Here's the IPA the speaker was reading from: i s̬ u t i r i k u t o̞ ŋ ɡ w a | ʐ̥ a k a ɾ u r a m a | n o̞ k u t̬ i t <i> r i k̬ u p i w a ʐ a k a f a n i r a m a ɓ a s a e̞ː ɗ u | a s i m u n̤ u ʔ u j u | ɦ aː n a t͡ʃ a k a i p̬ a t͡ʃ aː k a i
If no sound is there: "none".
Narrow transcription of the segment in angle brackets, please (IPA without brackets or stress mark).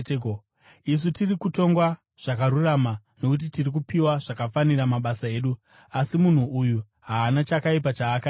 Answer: i